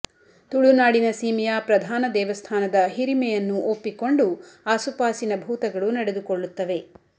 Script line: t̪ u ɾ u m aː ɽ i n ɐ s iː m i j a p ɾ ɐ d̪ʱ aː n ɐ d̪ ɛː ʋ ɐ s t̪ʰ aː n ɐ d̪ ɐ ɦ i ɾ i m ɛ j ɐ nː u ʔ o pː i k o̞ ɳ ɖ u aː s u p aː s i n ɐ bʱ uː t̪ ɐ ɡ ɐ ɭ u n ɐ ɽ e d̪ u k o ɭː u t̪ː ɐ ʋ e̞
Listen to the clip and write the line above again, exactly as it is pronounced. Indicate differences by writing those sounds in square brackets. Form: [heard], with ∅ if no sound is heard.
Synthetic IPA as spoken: t̪ u [ɭ] u [n] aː ɽ i n ɐ s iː m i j a p ɾ ɐ d̪ʱ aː n ɐ d̪ ɛː ʋ ɐ s t̪ʰ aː n ɐ d̪ ɐ ɦ i ɾ i m ɛ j ɐ nː u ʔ o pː i k o̞ ɳ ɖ u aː s u p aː s i n ɐ bʱ uː t̪ ɐ ɡ ɐ ɭ u n ɐ ɽ e d̪ u k o ɭː u t̪ː ɐ ʋ e̞